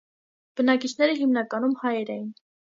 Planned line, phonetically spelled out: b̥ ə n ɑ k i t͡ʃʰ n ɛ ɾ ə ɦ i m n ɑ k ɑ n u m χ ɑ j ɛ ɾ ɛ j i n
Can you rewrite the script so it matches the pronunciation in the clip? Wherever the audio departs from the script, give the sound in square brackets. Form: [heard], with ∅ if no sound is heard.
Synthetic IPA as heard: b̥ ə n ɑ k i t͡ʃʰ n ɛ ɾ ə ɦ i m n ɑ k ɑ n u m [h] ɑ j ɛ ɾ ɛ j i n